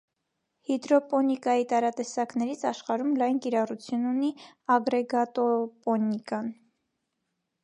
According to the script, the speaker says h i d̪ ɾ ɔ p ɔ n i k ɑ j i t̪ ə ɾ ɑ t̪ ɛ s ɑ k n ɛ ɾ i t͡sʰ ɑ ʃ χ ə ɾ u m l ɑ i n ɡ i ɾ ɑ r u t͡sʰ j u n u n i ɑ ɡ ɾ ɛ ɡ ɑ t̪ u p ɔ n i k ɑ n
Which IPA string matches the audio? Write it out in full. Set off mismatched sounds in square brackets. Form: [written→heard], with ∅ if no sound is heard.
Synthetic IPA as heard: h i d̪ ɾ ɔ p ɔ n i k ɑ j i t̪ [ə→ɑ] ɾ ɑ t̪ ɛ s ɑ k n ɛ ɾ i t͡sʰ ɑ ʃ χ [ə→ɑ] ɾ u m l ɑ [i→j] n [ɡ→k] i ɾ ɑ r u t͡sʰ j u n u n i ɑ ɡ ɾ ɛ ɡ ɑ t̪ [u→ɔ] p ɔ n i k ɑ n

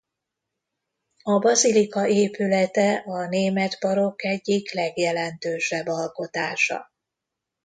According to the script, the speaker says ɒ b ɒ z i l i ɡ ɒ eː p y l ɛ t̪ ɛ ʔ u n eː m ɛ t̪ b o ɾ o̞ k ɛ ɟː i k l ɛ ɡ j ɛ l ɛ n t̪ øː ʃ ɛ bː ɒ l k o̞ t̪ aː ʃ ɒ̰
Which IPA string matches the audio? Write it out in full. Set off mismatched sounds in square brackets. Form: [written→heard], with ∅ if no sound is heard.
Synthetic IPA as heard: ɒ b ɒ z i l i [ɡ→k] ɒ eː p y l ɛ t̪ ɛ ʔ [u→ɒ] n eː m ɛ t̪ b [o→ɒ] ɾ o̞ k ɛ ɟː i k l ɛ ɡ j ɛ l ɛ n t̪ øː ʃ ɛ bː ɒ l k o̞ t̪ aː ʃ ɒ̰

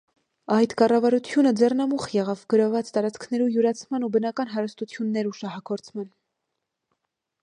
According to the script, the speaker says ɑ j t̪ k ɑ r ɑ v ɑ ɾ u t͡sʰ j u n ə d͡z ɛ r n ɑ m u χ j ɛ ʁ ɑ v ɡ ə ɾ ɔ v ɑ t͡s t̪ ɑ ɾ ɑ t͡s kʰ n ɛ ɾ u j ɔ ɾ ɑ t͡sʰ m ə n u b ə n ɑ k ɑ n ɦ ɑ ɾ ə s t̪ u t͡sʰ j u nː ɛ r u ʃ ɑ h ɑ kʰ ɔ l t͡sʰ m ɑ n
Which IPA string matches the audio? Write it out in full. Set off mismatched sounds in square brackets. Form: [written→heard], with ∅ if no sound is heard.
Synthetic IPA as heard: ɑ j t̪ k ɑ r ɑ v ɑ ɾ u t͡sʰ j u n ə d͡z ɛ r n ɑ m u χ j ɛ ʁ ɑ v ɡ ə ɾ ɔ v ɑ t͡s t̪ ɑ ɾ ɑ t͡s kʰ n ɛ ɾ u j [ɔ→u] ɾ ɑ t͡sʰ m [ə→ɑ] n u b ə n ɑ k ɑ n ɦ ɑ ɾ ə s t̪ u t͡sʰ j u nː ɛ [r→ɾ] u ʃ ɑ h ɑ kʰ ɔ [l→ɾ] t͡sʰ m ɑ n

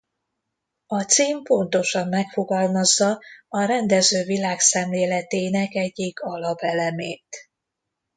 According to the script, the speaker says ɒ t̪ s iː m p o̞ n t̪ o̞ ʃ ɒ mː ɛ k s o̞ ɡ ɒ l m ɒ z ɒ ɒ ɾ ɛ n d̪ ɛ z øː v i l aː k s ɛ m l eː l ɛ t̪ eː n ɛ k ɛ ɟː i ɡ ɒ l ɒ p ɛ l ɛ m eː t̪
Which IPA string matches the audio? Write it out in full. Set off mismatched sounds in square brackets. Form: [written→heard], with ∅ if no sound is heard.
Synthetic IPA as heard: ɒ t̪ s iː m p o̞ n t̪ o̞ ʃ ɒ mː ɛ k [s→f] o̞ ɡ ɒ l m ɒ [z→zː] ɒ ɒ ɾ ɛ n d̪ ɛ z øː v i l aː k s ɛ m l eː l ɛ t̪ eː n ɛ k ɛ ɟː i ɡ ɒ l ɒ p ɛ l ɛ m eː t̪

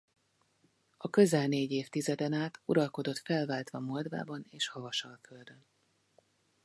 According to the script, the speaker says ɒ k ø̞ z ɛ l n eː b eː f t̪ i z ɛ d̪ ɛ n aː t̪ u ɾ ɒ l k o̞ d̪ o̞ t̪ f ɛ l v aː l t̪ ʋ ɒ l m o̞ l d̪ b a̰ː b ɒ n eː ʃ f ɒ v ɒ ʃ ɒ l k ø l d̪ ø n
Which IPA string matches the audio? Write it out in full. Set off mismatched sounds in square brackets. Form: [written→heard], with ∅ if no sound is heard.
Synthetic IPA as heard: ɒ k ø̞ z ɛ l n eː [b→ɟ] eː f t̪ i z ɛ d̪ ɛ n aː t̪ u ɾ ɒ l k o̞ d̪ o̞ t̪ f ɛ l v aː l t̪ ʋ ɒ [l→∅] m o̞ l d̪ [b→v] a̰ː b ɒ n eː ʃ [f→h] ɒ v ɒ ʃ ɒ l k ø l d̪ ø n

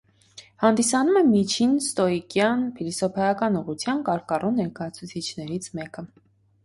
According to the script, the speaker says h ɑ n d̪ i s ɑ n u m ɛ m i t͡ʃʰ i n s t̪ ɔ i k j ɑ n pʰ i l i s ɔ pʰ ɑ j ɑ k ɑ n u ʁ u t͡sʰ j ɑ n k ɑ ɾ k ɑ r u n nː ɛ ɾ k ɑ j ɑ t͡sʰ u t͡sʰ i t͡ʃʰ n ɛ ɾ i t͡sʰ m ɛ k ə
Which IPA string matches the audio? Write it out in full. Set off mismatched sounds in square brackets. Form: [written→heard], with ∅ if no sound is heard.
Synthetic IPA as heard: h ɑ n d̪ i s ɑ n u m ɛ m i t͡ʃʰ i n s t̪ ɔ i k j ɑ n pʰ i l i s ɔ pʰ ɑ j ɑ k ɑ n u ʁ u t͡sʰ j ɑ n k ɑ ɾ k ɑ r u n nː ɛ ɾ k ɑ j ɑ t͡sʰ u t͡sʰ i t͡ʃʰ n ɛ ɾ i t͡sʰ m ɛ k ə

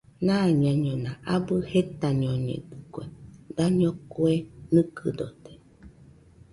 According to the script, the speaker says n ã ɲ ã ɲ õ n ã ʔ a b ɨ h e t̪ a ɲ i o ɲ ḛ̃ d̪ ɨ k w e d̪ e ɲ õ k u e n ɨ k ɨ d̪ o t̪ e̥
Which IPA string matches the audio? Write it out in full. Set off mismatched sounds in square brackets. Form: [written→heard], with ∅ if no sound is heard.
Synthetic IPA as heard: n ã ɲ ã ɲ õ n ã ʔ a b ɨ h e t̪ a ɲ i o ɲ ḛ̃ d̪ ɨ k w e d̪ [e→a] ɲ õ k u e n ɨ k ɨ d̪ o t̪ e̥

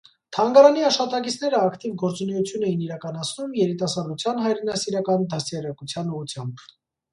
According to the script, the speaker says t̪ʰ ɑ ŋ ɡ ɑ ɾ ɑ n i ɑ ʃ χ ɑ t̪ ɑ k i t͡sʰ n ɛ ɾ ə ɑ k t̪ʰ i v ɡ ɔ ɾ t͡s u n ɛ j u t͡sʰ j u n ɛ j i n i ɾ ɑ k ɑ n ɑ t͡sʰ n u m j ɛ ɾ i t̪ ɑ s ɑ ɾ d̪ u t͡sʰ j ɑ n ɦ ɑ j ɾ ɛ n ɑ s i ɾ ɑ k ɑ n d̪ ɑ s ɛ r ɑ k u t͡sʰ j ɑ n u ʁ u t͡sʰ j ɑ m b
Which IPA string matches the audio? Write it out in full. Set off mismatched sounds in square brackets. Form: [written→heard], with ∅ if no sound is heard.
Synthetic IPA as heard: t̪ʰ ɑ ŋ ɡ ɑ ɾ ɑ n i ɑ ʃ χ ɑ t̪ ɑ k i t͡sʰ n ɛ ɾ ə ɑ k [t̪ʰ→t̪] i v ɡ ɔ ɾ t͡s u n ɛ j u t͡sʰ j u n ɛ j i n i ɾ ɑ k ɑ n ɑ t͡sʰ n u m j ɛ ɾ i t̪ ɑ s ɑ ɾ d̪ u t͡sʰ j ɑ n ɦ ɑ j ɾ ɛ n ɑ s i ɾ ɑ k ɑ n d̪ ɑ s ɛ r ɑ k u t͡sʰ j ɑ n u ʁ u t͡sʰ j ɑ m b

